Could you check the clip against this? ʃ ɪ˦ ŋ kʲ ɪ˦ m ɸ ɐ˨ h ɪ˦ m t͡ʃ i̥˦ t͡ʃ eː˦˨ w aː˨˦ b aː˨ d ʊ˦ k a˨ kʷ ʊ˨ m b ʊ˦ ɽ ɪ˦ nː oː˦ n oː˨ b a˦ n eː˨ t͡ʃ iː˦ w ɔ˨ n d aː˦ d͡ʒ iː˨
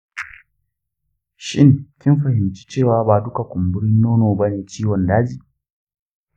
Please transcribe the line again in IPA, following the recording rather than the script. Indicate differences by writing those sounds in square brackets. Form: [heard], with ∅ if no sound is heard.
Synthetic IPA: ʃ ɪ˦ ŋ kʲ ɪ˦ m ɸ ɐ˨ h [ɪ˨] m t͡ʃ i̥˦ t͡ʃ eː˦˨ w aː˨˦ b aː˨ d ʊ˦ k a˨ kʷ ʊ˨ m b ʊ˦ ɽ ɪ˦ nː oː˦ n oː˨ b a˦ n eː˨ t͡ʃ iː˦ w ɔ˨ n d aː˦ d͡ʒ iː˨